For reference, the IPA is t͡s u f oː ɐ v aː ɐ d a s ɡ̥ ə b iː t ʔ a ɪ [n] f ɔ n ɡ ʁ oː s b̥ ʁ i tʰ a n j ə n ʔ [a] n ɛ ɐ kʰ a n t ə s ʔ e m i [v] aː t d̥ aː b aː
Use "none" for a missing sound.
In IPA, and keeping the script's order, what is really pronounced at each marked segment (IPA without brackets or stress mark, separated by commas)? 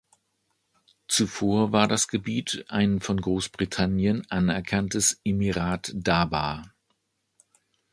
n, a, ʁ